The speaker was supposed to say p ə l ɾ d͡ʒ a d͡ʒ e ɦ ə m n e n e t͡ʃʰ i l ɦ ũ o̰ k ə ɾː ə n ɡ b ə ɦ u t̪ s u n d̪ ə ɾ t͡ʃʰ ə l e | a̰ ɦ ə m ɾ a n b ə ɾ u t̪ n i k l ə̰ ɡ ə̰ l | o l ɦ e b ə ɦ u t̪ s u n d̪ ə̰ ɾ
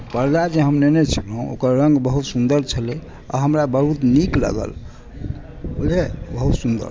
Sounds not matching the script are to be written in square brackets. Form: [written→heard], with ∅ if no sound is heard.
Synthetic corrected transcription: p ə [l→∅] ɾ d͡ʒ a d͡ʒ e ɦ ə m n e n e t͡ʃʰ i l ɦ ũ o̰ k ə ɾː ə [n→ŋ] ɡ b ə ɦ u t̪ s u n d̪ ə ɾ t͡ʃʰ ə l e | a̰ ɦ ə m ɾ a [n→∅] b ə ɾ u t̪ n i k l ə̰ ɡ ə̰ l | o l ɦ e b ə ɦ u t̪ s u n d̪ ə̰ ɾ